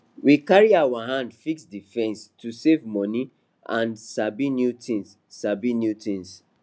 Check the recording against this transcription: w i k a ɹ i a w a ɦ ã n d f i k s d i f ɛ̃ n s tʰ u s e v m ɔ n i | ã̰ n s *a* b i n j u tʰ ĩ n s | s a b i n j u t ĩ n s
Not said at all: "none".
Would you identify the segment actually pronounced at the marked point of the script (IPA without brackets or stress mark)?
a